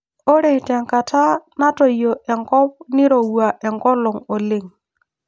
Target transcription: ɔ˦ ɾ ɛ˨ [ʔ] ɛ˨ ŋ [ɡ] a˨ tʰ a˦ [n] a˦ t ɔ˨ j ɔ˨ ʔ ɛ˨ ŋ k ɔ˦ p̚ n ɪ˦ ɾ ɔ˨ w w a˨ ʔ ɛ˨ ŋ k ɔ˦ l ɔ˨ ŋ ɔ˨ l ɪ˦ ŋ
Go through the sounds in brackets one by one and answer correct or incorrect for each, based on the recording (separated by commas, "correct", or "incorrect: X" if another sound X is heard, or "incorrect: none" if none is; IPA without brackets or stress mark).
incorrect: t, incorrect: k, correct